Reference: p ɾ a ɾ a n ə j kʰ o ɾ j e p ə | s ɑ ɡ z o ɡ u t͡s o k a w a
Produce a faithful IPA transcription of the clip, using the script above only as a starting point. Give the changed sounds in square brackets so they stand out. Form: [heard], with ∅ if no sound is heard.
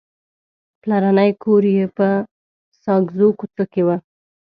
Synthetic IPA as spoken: p [l] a ɾ a n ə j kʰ o ɾ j e p ə | s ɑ ɡ z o [k] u t͡s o k [e] w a